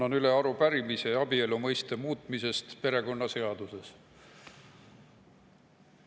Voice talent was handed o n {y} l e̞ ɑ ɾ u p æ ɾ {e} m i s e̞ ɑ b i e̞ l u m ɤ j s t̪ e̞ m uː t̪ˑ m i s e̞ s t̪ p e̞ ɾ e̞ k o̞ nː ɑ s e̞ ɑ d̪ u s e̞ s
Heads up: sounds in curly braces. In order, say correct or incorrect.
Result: correct, incorrect: i

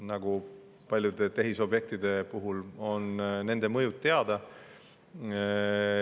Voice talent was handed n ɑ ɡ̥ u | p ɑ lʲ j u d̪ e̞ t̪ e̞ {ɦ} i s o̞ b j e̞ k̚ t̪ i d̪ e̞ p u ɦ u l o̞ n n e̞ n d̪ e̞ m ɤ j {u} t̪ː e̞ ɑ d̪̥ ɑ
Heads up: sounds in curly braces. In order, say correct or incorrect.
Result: correct, correct

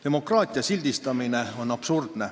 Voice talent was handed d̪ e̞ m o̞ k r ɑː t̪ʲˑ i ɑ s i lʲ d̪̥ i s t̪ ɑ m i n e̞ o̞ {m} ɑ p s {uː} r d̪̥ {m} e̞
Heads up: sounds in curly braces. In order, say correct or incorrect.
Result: incorrect: n, incorrect: u, incorrect: n

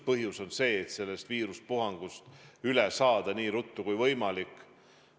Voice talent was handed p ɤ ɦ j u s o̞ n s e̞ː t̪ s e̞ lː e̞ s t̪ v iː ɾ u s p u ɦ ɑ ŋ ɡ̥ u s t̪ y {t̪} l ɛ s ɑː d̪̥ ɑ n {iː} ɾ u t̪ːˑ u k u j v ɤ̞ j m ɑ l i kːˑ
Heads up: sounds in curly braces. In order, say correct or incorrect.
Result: incorrect: none, correct

